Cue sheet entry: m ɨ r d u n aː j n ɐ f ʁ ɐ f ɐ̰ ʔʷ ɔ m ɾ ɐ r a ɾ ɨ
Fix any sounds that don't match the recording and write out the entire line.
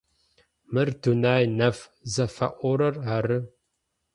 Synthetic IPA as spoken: m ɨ r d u n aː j n ɐ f z ɐ f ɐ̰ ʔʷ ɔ ɾ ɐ r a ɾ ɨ